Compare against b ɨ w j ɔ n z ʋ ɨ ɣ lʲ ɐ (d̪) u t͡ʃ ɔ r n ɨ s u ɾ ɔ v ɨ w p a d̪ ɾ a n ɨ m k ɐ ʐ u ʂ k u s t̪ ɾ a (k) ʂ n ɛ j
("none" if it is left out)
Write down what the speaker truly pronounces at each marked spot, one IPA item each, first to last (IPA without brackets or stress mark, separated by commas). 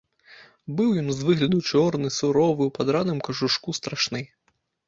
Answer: d̪, none